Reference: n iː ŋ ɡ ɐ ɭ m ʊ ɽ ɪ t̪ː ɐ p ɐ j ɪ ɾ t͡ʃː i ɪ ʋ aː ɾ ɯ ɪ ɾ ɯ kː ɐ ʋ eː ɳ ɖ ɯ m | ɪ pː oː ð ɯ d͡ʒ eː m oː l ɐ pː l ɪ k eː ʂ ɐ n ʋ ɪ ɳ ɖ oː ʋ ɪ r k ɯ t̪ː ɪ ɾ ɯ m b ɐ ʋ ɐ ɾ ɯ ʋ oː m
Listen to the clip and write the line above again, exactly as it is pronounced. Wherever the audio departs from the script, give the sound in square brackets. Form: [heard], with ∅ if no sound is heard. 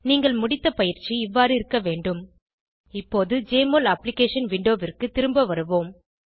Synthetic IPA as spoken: n iː ŋ ɡ ɐ ɭ m ʊ ɽ ɪ t̪ː ɐ p ɐ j ɪ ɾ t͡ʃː i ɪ [ʋː] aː ɾ ɯ ɪ ɾ ɯ kː ɐ ʋ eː ɳ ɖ ɯ m | ɪ pː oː ð ɯ d͡ʒ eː m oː l ɐ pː l ɪ k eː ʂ ɐ n ʋ ɪ ɳ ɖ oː ʋ ɪ r k ɯ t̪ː ɪ ɾ ɯ m b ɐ ʋ ɐ ɾ ɯ ʋ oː m